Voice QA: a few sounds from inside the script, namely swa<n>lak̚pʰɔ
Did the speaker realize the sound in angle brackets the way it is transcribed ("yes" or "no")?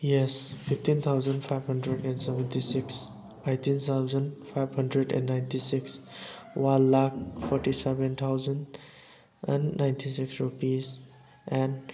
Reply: yes